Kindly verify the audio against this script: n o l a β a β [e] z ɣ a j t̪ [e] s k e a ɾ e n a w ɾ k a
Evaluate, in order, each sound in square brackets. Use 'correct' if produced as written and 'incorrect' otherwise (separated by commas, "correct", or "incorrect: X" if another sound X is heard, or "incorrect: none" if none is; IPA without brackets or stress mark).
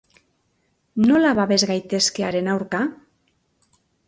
correct, correct